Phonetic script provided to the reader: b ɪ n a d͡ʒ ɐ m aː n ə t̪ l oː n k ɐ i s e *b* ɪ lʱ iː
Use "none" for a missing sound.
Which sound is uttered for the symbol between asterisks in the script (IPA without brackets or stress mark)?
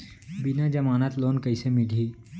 m